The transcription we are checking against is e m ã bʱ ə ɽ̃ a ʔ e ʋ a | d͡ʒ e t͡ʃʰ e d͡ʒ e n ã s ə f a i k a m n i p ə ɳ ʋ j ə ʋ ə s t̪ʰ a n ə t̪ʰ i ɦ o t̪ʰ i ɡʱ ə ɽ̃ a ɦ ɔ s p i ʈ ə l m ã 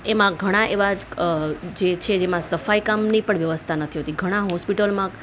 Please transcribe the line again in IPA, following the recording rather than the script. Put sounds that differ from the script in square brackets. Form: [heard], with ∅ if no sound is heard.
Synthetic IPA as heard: e m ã [ɡʱ] ə ɽ̃ a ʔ e ʋ a | d͡ʒ e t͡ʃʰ e d͡ʒ e [m] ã s ə f a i k a m n i p ə ɳ ʋ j ə ʋ ə s t̪ʰ a n ə t̪ʰ i ɦ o [t̪] i ɡʱ ə ɽ̃ a ɦ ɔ s p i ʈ ə l m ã